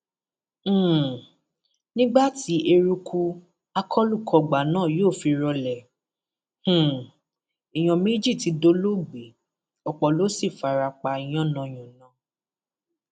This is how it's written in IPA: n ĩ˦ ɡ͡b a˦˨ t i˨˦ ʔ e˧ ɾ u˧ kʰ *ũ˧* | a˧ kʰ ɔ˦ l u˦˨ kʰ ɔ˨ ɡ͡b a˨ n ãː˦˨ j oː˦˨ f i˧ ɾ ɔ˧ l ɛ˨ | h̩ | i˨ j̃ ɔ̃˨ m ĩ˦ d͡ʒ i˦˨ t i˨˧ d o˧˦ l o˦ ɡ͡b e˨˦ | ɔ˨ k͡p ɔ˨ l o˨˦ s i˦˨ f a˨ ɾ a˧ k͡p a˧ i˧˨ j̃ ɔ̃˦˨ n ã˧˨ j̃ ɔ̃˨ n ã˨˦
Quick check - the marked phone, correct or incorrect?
incorrect: u˧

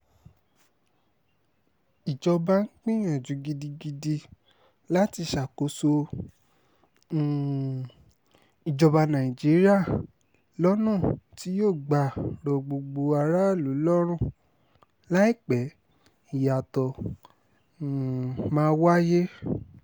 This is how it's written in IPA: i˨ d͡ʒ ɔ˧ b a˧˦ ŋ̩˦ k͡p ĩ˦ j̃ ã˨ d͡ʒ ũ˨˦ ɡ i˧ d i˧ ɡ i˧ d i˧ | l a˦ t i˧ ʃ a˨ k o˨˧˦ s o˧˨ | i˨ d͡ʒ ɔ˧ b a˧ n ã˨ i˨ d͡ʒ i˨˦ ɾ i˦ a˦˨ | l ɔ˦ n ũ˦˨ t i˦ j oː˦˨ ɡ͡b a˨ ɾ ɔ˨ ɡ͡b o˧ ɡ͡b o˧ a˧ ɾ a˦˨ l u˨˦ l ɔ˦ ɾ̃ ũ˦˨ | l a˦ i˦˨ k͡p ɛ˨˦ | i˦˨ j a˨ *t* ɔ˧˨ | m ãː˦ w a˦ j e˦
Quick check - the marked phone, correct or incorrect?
correct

